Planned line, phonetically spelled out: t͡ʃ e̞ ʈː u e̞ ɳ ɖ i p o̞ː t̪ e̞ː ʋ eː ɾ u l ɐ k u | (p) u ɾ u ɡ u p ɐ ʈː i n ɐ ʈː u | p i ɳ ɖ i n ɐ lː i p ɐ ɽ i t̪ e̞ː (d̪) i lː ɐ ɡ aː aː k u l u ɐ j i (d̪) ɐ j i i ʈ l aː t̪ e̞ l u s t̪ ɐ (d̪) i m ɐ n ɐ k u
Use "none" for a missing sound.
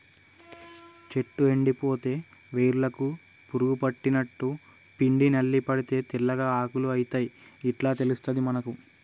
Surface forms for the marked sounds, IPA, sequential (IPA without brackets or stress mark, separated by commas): p, t̪, t̪, d̪